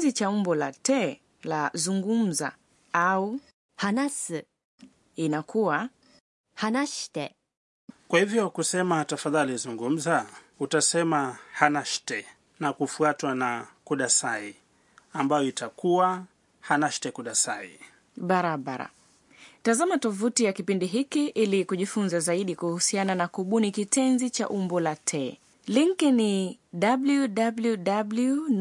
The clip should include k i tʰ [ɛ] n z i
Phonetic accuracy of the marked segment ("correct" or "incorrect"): correct